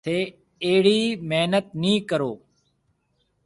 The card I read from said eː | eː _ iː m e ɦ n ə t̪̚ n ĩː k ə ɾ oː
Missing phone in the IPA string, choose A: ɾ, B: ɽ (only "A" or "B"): B